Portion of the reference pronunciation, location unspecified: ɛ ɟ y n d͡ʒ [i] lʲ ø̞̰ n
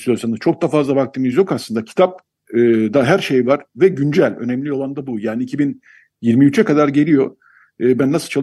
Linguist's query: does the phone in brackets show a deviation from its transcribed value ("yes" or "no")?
yes